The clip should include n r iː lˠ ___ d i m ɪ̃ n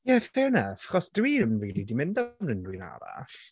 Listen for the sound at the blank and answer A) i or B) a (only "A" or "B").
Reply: A